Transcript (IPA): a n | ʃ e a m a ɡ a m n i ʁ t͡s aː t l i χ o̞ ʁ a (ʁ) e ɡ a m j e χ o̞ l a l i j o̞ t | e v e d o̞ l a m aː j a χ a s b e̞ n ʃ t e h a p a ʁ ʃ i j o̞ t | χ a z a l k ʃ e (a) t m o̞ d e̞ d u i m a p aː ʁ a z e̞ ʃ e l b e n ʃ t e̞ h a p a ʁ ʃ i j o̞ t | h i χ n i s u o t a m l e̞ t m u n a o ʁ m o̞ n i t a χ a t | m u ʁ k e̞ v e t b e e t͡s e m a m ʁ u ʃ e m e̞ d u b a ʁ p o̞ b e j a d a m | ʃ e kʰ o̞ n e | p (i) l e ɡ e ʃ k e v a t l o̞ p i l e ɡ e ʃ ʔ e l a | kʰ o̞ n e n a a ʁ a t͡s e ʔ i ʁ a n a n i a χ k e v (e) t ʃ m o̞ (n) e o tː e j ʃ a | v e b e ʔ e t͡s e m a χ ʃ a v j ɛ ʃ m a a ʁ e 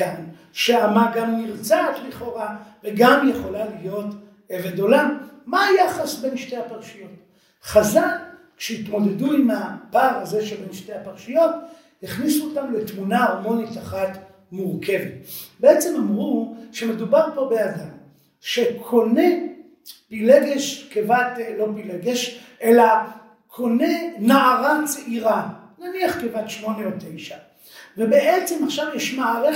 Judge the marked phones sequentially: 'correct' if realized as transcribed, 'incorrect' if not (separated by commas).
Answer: incorrect, incorrect, correct, incorrect, correct